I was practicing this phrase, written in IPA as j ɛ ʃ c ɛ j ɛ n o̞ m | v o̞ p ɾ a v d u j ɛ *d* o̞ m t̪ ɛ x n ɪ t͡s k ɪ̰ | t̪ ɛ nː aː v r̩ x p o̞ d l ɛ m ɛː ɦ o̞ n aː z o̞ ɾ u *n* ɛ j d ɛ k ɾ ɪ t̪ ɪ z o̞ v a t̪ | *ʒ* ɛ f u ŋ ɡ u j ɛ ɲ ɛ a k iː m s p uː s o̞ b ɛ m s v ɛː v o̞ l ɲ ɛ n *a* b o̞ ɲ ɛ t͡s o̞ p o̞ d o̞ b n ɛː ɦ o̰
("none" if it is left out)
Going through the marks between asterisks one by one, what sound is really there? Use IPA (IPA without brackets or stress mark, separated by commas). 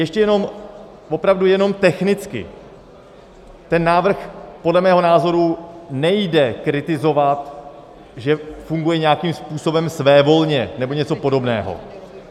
n, n, ʒ, ɛ